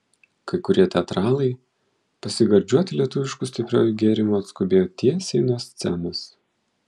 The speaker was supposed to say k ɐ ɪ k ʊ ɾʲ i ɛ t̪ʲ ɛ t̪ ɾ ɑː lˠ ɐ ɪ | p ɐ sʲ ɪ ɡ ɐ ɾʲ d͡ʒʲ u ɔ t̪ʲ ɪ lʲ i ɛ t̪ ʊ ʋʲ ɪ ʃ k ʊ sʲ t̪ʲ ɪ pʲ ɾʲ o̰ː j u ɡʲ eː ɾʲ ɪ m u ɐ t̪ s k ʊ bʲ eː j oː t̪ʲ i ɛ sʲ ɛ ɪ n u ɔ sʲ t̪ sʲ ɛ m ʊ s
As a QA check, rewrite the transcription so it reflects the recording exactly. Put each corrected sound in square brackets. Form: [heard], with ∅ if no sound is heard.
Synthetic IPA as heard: k ɐ ɪ k ʊ ɾʲ i ɛ t̪ʲ ɛ t̪ ɾ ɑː lˠ ɐ ɪ | p ɐ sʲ ɪ ɡ ɐ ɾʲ d͡ʒʲ u ɔ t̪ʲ ɪ lʲ i ɛ t̪ ʊ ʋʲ ɪ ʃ k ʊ sʲ t̪ʲ ɪ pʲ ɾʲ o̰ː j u ɡʲ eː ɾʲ ɪ m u ɐ t̪ s k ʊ bʲ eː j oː t̪ʲ i ɛ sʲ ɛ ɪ n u ɔ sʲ t̪ sʲ ɛ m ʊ s